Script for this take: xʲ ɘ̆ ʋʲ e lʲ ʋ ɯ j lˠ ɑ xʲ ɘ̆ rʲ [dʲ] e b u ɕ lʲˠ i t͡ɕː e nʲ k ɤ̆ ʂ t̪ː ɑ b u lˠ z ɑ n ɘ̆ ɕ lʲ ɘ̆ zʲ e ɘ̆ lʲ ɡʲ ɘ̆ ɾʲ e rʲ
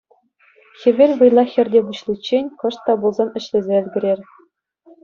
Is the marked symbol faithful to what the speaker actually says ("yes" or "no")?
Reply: yes